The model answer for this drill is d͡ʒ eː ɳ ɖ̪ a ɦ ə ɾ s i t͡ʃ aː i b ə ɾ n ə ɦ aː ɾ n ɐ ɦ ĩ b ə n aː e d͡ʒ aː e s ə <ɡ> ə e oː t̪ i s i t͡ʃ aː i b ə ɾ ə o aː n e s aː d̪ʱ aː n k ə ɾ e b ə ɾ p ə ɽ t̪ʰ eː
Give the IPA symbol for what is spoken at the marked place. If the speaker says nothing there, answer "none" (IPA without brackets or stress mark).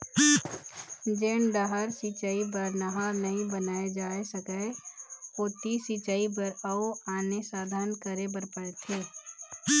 k